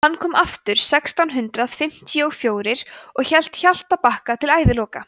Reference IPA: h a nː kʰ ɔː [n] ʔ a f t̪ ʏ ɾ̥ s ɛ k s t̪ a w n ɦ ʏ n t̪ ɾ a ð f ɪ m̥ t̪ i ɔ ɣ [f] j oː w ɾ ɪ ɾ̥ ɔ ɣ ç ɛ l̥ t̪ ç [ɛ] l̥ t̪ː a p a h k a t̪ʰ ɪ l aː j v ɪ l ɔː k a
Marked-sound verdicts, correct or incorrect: incorrect: m, correct, incorrect: a

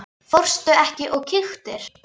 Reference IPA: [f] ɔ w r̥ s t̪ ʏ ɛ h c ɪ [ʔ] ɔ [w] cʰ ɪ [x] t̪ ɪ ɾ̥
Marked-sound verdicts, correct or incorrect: correct, correct, incorrect: ɣ, correct

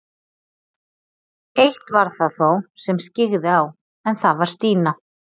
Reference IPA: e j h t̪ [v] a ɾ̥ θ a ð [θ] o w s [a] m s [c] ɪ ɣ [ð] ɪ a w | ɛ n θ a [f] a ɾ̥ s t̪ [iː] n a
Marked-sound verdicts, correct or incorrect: correct, correct, incorrect: ɛ, correct, correct, incorrect: v, correct

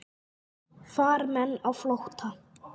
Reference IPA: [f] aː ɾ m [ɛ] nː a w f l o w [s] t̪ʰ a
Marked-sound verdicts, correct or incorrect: correct, correct, incorrect: h

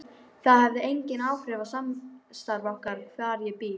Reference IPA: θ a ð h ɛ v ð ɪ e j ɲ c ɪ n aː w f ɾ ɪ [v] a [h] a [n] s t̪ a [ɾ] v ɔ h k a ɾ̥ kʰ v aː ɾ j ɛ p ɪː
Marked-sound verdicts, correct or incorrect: correct, incorrect: s, incorrect: m, correct

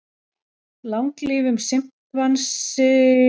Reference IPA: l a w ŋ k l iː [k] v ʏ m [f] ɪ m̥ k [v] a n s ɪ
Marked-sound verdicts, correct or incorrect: incorrect: none, incorrect: s, correct

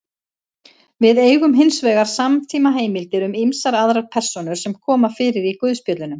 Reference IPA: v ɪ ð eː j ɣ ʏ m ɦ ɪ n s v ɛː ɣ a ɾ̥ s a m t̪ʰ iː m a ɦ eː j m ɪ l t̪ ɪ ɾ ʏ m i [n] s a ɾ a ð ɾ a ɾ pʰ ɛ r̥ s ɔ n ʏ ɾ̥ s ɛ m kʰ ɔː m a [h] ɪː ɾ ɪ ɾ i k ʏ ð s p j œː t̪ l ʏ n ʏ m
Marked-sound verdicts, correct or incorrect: incorrect: m, incorrect: f

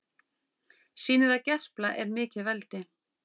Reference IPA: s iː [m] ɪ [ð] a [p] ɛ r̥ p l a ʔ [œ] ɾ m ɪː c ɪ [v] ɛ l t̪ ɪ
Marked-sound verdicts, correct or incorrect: incorrect: n, correct, incorrect: c, incorrect: ɛ, correct

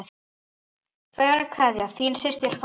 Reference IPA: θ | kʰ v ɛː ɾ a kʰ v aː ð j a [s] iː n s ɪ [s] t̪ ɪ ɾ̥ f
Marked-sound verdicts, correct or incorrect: incorrect: θ, correct

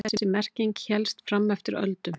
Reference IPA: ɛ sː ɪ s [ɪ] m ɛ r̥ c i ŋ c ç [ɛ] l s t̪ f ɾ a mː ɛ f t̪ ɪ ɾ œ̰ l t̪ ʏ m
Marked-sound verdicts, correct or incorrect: correct, correct

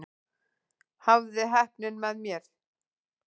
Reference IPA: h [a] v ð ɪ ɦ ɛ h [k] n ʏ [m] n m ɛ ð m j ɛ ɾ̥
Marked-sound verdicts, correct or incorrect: correct, incorrect: p, incorrect: none

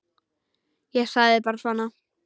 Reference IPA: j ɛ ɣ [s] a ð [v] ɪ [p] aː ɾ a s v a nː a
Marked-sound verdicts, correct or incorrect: correct, incorrect: ð, correct

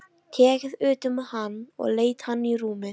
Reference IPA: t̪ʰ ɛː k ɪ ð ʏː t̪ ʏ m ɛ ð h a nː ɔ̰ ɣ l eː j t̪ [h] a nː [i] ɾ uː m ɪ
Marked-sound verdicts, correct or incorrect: correct, correct

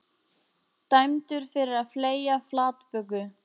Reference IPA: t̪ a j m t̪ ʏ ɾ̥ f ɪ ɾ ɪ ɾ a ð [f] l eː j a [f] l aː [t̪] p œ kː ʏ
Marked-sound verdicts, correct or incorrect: correct, correct, correct

